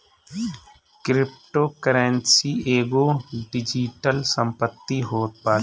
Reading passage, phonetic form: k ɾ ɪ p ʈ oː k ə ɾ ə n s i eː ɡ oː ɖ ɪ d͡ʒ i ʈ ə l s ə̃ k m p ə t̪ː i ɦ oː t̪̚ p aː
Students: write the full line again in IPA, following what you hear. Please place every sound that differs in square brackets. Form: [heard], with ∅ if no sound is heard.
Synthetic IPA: k ɾ ɪ p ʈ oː k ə ɾ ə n s i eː ɡ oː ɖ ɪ d͡ʒ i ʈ ə l s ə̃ [∅] m p ə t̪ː i ɦ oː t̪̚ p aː